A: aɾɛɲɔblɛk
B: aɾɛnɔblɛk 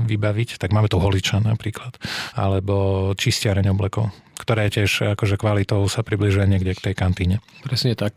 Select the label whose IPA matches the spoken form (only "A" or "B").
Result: A